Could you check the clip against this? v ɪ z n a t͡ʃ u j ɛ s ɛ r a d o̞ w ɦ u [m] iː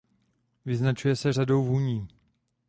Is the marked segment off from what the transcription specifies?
yes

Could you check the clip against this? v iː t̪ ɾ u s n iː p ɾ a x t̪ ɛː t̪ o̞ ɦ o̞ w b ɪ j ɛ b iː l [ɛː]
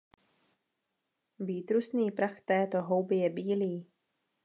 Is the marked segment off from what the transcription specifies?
yes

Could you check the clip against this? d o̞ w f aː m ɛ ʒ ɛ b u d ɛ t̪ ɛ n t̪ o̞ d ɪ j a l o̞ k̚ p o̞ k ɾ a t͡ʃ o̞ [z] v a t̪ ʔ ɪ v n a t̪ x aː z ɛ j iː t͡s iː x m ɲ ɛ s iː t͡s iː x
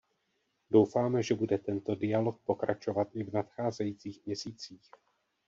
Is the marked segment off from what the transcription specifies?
yes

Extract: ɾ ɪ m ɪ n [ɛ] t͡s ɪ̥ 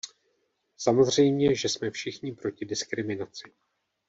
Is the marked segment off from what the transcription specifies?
yes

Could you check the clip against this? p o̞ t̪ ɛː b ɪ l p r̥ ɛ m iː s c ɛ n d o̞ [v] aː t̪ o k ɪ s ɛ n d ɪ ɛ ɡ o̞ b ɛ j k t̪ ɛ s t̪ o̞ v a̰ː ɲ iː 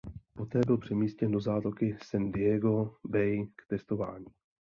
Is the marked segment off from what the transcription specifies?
yes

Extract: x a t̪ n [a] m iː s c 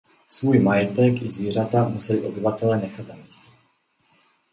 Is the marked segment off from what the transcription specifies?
no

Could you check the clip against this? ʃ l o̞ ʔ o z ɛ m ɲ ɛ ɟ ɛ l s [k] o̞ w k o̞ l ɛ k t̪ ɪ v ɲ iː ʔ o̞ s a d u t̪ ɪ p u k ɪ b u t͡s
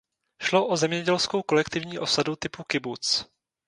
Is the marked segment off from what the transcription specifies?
no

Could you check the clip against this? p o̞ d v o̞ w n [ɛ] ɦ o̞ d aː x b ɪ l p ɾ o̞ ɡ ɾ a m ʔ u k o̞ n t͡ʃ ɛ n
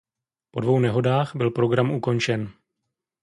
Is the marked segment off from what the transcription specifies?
no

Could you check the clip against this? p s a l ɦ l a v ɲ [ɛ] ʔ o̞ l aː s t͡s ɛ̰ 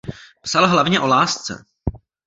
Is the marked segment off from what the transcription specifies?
no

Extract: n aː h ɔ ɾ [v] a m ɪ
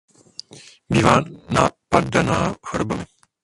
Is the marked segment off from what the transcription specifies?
yes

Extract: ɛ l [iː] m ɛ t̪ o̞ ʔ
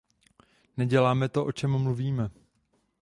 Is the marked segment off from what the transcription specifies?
yes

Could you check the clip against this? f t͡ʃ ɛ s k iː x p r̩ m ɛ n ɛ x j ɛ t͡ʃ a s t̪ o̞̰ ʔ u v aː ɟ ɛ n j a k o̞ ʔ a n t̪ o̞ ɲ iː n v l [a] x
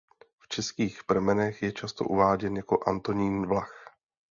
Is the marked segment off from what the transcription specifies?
no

